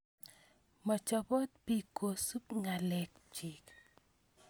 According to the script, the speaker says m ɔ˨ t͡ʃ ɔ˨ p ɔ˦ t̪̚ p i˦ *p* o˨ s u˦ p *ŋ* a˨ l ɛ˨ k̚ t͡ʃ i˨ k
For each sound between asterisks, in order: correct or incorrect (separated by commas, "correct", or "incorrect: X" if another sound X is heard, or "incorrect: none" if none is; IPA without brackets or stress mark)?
incorrect: k, correct